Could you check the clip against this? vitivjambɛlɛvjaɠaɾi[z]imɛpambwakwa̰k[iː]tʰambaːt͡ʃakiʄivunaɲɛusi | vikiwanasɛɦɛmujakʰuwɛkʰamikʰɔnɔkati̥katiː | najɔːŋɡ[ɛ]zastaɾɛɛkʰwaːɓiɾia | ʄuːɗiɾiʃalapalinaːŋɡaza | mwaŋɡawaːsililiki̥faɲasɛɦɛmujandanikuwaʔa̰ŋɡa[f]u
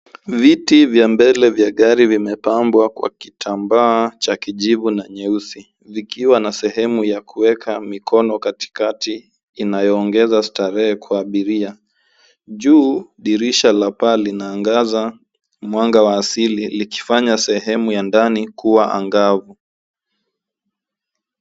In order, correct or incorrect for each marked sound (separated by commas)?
incorrect, incorrect, correct, incorrect